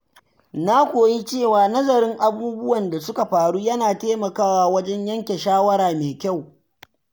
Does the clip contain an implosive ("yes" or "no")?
no